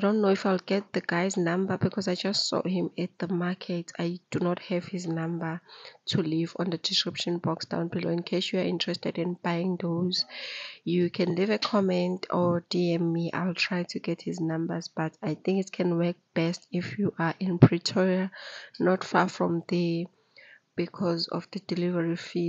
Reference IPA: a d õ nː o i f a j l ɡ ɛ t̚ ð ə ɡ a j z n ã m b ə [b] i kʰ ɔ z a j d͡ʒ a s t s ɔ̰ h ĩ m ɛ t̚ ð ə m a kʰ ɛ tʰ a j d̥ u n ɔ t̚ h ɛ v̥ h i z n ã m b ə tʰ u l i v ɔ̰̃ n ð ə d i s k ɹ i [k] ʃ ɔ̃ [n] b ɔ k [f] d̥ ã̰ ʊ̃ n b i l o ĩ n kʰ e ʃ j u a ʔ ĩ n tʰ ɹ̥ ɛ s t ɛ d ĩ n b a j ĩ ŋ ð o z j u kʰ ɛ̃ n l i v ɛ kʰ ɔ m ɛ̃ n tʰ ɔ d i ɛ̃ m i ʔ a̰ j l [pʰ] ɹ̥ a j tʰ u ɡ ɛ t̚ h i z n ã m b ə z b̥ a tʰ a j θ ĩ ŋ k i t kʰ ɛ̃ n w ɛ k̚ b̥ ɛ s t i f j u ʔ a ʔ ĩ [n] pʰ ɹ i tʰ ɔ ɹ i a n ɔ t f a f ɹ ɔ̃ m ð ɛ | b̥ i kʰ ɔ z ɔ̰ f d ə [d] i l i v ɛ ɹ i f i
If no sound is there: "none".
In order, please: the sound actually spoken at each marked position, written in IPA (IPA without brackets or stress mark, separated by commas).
b, p, n, s, tʰ, n, d